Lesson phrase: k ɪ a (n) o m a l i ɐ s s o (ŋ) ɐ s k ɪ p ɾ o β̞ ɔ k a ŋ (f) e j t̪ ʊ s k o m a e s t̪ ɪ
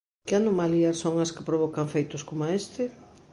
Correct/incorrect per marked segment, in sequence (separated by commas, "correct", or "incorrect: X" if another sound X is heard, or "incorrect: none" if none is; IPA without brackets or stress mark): correct, correct, correct